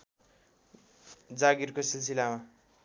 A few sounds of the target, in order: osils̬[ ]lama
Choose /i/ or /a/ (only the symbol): i